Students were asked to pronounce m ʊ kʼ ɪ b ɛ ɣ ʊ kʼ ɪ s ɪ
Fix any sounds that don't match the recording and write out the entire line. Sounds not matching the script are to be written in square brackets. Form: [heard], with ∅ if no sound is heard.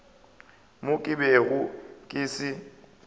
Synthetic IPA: m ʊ kʼ ɪ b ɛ ɣ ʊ kʼ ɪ s ɪ